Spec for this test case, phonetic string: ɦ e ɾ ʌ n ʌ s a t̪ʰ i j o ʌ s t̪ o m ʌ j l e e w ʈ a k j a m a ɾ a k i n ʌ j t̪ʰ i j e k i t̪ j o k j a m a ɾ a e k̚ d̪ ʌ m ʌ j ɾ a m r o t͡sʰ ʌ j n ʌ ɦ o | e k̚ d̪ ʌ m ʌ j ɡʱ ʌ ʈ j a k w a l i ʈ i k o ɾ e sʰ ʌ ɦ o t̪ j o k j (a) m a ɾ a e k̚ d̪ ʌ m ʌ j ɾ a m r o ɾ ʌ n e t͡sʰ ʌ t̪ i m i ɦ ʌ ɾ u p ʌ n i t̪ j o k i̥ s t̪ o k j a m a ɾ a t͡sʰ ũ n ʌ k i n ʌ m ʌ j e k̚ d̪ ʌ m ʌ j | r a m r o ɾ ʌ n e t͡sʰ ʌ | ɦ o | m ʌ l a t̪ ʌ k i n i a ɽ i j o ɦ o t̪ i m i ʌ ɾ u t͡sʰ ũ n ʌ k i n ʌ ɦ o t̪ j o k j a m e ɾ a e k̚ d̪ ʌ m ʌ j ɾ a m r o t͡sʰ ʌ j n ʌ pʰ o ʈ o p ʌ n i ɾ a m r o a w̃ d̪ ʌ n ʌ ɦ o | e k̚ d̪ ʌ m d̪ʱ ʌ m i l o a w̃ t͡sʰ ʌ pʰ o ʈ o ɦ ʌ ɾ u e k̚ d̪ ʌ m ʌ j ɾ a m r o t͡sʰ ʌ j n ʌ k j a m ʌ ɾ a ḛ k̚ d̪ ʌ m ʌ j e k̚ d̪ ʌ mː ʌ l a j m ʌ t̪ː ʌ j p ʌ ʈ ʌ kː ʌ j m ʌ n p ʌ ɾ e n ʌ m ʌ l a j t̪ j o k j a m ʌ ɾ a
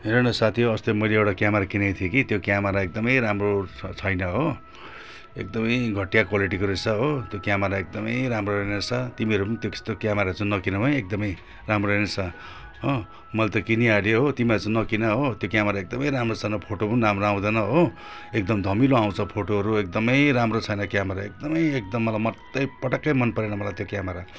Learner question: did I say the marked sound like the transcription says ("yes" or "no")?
yes